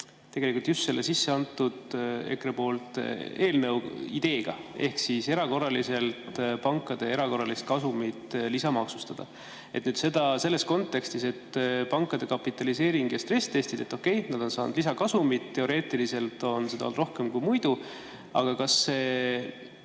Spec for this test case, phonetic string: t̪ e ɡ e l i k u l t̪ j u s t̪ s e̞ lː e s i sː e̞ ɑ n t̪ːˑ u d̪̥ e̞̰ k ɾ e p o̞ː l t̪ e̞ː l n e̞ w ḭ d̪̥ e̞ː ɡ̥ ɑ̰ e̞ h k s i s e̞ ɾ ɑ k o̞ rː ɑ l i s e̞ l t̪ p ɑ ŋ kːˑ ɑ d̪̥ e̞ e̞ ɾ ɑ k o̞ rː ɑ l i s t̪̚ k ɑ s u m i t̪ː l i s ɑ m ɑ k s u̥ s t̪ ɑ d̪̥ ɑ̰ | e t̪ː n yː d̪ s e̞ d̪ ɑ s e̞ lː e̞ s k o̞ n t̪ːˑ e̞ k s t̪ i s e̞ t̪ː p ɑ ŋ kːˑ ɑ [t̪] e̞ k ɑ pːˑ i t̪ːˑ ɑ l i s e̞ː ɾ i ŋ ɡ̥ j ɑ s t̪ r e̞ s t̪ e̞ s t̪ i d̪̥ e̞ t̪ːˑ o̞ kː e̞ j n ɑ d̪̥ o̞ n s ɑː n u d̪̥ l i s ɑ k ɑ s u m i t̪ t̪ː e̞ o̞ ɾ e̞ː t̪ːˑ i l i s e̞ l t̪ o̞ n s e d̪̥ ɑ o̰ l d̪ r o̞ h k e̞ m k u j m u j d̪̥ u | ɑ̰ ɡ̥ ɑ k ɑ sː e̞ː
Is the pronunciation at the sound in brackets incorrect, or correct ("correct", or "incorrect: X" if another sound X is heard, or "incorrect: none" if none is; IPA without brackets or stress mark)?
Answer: incorrect: d̪